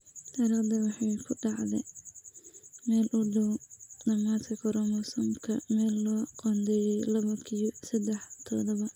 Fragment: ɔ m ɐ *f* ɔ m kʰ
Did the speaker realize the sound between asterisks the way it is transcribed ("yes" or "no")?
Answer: no